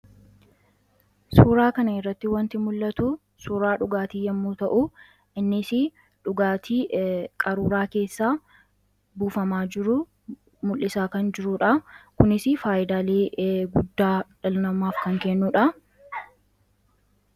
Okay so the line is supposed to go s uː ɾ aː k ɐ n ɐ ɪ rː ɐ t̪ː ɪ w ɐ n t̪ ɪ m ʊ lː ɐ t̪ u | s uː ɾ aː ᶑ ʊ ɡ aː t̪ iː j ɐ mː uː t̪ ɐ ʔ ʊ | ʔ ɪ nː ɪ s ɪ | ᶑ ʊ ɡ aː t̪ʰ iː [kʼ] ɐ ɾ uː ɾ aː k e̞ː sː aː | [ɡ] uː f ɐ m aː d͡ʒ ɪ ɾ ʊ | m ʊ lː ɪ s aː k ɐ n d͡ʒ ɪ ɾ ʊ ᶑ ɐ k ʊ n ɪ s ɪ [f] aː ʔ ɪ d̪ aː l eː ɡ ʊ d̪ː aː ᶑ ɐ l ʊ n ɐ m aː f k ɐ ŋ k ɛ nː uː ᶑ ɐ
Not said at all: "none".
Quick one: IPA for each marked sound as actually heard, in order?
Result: kʼ, b, f

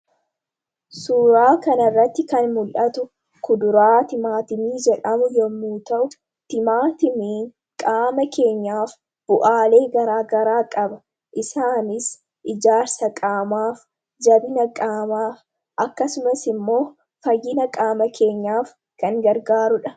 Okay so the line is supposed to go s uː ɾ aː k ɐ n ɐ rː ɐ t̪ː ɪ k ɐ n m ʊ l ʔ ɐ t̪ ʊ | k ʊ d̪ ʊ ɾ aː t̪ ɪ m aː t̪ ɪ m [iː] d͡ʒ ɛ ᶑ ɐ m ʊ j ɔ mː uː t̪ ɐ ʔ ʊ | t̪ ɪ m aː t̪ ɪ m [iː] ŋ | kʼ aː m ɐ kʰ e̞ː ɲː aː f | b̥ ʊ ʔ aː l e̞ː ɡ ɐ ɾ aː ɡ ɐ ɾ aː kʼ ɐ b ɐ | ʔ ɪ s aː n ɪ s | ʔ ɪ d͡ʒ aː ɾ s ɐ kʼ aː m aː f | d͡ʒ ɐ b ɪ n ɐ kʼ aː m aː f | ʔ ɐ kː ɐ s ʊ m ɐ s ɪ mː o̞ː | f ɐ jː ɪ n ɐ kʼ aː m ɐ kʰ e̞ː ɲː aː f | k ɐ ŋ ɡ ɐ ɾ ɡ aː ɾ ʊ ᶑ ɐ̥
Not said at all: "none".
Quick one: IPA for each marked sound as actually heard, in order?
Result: iː, iː

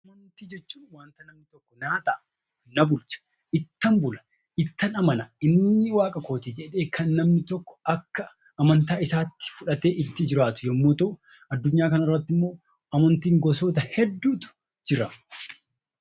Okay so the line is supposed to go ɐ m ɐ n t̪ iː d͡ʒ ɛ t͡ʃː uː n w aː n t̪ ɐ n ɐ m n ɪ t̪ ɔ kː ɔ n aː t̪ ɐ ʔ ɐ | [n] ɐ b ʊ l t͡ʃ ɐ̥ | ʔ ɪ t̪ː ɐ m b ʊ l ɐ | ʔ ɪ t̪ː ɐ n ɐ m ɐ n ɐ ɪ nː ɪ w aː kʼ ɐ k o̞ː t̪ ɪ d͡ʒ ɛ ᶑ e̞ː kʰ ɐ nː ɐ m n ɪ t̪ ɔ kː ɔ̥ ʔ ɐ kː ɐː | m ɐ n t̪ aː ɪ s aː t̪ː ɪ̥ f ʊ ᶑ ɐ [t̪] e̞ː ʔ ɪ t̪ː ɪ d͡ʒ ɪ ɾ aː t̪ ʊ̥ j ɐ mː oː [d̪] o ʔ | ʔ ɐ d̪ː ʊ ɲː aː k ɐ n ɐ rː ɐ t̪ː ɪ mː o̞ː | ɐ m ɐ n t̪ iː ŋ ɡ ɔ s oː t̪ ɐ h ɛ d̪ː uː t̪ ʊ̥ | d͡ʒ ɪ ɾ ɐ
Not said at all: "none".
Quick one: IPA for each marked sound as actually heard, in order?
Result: n, t̪, t̪

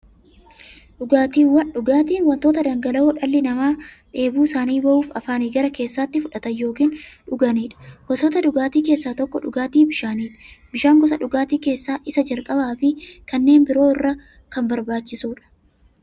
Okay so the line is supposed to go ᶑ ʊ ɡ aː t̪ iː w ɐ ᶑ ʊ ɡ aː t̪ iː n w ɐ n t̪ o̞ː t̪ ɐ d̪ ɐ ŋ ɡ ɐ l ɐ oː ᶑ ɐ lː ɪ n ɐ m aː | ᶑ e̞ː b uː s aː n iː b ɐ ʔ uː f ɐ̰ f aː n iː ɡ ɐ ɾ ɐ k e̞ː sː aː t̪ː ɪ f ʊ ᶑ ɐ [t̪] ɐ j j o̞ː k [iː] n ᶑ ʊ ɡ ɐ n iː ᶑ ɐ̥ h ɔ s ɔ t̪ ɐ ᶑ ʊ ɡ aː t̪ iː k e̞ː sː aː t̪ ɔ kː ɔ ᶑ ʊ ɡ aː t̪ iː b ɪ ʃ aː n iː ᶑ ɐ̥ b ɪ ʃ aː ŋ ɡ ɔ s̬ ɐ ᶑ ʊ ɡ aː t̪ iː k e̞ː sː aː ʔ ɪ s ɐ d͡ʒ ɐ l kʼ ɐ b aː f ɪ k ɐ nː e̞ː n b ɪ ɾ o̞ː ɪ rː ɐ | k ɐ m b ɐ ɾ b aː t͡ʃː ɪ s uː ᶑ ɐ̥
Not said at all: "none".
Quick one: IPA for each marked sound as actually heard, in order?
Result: t̪, iː

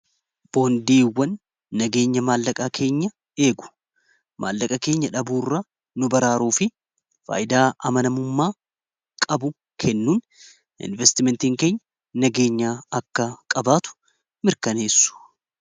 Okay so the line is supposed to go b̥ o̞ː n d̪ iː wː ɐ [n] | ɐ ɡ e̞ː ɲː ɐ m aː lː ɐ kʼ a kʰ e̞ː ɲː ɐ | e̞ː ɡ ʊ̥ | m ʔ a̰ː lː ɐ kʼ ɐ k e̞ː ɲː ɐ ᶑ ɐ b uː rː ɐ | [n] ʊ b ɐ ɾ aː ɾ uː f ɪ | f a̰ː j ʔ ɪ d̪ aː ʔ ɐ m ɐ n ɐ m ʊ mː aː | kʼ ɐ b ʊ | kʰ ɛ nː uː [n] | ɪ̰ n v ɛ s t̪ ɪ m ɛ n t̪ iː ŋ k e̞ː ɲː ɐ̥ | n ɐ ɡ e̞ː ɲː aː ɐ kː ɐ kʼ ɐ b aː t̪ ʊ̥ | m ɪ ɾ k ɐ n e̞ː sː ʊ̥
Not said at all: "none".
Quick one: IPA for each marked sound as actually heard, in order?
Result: nː, n, n

